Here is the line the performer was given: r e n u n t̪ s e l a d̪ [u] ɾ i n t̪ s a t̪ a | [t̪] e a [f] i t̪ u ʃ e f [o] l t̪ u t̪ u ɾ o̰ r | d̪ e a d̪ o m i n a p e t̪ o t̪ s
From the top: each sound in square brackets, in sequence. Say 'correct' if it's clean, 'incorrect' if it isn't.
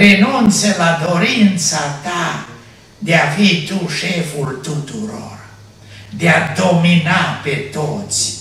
incorrect: o, incorrect: d̪, correct, incorrect: u

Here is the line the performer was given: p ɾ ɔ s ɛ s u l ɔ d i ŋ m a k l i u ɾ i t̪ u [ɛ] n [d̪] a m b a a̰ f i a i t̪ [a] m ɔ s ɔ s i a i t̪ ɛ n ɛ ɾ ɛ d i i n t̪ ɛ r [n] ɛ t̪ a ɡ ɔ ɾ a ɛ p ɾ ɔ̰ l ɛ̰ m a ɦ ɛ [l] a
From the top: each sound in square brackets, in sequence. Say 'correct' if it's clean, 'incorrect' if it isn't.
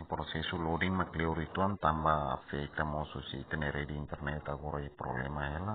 incorrect: a, incorrect: t̪, correct, correct, correct

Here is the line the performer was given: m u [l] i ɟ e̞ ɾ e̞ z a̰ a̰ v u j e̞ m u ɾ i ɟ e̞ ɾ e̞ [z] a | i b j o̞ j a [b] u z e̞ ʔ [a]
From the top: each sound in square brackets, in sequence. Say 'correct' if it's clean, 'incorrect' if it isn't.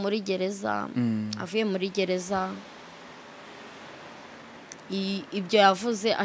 incorrect: ɾ, correct, incorrect: v, correct

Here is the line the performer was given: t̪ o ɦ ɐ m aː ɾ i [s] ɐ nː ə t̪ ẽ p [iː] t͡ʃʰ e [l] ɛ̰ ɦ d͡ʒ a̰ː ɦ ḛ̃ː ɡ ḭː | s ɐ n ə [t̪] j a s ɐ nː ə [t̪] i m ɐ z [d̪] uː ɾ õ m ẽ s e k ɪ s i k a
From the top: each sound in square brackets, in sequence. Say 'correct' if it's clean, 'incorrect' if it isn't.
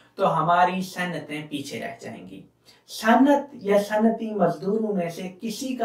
correct, correct, incorrect: ɾ, correct, correct, correct

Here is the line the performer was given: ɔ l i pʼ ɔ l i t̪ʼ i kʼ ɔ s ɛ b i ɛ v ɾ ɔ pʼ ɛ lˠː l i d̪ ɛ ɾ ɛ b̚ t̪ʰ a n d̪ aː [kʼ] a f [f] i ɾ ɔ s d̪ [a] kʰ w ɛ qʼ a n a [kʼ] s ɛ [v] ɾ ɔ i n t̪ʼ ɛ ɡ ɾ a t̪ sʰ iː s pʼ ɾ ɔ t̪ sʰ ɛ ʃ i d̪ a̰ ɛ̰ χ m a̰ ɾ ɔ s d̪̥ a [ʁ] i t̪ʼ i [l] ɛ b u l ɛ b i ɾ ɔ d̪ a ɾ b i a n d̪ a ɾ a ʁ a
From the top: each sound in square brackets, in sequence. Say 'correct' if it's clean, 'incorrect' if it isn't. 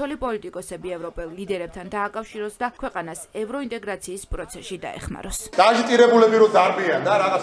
correct, incorrect: ʃ, correct, incorrect: none, correct, incorrect: ʒ, incorrect: ɾ

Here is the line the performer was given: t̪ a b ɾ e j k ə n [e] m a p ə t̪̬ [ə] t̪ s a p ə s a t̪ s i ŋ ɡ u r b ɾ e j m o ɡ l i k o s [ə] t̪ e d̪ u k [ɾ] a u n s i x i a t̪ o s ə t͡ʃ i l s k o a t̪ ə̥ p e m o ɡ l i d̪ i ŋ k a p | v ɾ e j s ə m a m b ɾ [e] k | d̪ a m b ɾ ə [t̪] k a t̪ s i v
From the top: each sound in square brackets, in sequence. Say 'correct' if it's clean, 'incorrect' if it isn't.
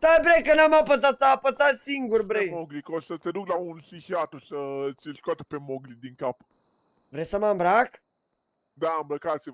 incorrect: a, incorrect: a, correct, incorrect: l, incorrect: a, incorrect: none

